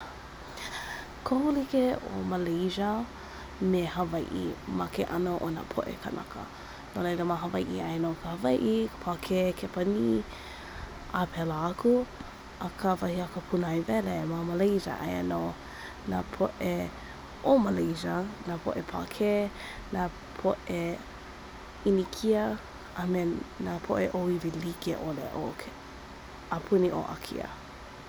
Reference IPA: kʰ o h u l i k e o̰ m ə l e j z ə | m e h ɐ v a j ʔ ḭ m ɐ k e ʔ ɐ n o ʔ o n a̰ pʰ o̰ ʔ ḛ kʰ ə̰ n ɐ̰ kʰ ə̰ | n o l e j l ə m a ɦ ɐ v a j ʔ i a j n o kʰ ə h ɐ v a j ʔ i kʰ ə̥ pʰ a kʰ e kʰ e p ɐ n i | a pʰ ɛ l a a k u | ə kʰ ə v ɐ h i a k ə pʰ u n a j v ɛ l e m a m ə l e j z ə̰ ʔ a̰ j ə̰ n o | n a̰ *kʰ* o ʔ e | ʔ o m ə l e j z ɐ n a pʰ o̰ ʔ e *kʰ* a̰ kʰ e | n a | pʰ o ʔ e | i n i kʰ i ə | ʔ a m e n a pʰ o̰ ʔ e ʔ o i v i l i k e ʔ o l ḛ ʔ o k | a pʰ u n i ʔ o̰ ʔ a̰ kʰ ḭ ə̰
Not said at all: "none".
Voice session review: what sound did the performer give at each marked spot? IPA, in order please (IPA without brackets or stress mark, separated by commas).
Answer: pʰ, pʰ